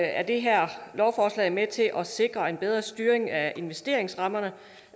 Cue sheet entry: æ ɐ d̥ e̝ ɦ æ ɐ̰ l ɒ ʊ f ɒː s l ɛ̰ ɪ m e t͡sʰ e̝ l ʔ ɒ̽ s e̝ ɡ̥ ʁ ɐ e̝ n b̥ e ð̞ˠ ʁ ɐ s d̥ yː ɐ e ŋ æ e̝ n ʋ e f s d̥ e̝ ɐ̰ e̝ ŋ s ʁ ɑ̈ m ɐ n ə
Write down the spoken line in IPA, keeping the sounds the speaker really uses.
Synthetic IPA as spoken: æ ɐ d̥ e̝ ɦ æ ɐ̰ l ɒ ʊ f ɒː s l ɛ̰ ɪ m e t͡sʰ e̝ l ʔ ɒ̽ s e̝ ɡ̥ ʁ ɐ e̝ n b̥ e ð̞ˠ ʁ ɐ s d̥ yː ɐ e ŋ æ e̝ n ʋ e s d̥ e̝ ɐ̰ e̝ ŋ s ʁ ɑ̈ m ɐ n ə